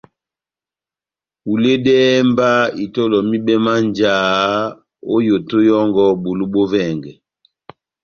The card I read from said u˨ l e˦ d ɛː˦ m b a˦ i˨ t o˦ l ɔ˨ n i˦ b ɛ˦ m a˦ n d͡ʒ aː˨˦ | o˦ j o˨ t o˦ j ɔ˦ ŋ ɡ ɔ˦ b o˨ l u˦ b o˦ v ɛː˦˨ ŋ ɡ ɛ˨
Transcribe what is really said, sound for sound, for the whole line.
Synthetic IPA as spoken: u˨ l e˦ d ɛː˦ m b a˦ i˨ t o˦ l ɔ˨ m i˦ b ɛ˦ m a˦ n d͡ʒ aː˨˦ | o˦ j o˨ t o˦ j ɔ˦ ŋ ɡ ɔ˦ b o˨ l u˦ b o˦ v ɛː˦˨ ŋ ɡ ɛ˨

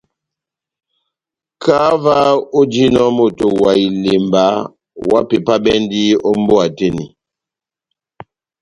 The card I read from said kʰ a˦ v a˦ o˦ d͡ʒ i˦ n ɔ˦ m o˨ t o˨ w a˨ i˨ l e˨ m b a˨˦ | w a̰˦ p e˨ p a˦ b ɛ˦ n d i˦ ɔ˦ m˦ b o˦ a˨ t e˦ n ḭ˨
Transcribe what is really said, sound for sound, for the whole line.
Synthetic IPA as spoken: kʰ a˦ v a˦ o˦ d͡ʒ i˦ n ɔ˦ m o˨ t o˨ w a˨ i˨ l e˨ m b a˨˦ | w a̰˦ p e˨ p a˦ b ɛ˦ n d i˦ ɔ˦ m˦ b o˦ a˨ t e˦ n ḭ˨

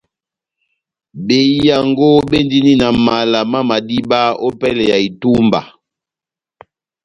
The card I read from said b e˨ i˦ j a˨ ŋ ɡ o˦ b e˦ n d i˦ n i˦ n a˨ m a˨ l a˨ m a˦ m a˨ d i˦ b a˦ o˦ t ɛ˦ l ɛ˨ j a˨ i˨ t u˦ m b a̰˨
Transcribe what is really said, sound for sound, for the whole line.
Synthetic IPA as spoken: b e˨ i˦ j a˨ ŋ ɡ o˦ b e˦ n d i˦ n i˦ n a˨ m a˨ l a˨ m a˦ m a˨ d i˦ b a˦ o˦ p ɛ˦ l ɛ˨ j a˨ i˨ t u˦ m b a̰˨

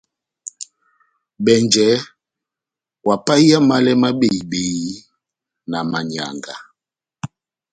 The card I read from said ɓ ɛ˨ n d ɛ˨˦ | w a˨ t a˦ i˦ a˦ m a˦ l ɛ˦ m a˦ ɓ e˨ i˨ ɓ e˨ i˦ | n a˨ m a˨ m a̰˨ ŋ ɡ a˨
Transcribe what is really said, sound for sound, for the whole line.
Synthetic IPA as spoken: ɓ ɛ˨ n d͡ʒ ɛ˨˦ | w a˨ p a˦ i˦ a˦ m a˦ l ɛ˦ m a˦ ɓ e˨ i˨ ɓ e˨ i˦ | n a˨ m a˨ ɲ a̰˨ ŋ ɡ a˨

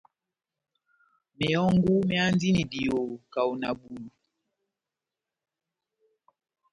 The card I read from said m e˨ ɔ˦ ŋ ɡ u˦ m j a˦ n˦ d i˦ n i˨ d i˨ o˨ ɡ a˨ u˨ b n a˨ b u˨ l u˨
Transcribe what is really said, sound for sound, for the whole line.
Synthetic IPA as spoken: m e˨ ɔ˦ ŋ ɡ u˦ m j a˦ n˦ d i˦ n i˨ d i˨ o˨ k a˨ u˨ n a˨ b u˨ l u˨

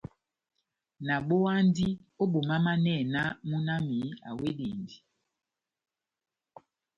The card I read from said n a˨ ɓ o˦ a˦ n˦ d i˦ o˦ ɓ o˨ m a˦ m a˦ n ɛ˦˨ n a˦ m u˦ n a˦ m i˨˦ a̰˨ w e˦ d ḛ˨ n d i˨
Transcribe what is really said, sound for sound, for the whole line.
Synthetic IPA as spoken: n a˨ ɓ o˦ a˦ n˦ d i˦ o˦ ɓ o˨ m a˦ m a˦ n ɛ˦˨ n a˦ m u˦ n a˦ m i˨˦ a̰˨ w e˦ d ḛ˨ n d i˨

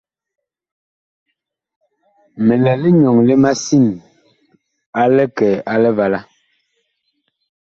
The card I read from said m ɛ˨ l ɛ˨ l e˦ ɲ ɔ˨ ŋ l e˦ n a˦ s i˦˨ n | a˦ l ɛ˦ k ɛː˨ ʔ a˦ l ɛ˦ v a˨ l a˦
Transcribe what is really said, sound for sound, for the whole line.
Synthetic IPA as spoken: m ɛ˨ l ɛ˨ l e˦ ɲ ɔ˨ ŋ l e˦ m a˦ s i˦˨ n | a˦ l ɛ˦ k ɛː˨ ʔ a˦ l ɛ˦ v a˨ l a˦

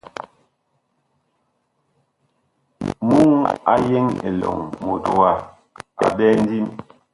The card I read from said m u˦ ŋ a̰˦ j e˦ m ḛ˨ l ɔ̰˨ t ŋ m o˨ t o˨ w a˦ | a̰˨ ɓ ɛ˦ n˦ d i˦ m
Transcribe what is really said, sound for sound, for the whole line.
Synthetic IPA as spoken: m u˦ ŋ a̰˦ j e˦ ŋ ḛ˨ l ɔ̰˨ ŋ m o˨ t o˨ w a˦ | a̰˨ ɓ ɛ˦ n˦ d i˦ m

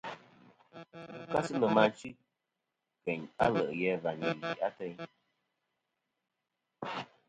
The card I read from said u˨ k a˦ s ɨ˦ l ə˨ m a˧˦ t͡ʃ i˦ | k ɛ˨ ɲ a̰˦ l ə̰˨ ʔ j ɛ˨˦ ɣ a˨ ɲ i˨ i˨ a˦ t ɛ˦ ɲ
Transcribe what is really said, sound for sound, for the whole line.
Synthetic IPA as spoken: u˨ k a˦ s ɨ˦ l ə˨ m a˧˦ t͡ʃ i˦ | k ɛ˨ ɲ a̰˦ l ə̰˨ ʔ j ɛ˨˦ v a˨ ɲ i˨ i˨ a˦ t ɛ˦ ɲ

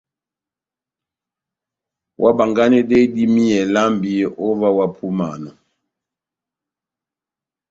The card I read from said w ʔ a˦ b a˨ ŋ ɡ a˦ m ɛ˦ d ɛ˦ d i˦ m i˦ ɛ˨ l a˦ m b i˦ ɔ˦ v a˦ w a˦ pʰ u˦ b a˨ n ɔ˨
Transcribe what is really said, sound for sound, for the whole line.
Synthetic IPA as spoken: w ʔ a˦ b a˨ ŋ ɡ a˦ n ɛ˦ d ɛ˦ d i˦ m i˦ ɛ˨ l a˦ m b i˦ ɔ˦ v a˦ w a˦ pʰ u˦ m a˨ n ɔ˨

